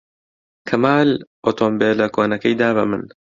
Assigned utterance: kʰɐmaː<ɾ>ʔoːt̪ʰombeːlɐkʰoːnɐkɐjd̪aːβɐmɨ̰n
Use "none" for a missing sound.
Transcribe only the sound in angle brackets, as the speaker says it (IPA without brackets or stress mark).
l